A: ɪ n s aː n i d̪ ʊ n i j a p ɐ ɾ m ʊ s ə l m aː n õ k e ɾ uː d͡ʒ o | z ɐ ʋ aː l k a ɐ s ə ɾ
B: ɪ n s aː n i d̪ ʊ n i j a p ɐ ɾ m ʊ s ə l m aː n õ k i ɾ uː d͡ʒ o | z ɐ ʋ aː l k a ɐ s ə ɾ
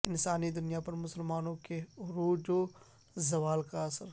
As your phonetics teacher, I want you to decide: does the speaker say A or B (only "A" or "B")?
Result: A